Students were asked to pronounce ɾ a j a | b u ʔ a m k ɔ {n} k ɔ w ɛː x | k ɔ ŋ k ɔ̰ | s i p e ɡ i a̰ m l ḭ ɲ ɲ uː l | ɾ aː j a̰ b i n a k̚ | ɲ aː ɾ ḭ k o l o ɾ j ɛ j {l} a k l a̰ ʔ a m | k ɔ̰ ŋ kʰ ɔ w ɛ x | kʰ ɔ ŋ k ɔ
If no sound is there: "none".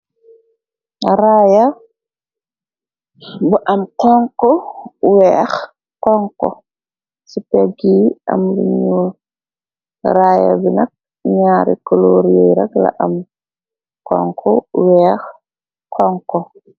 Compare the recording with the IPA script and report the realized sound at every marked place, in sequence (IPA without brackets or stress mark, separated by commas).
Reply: ŋ, ɾ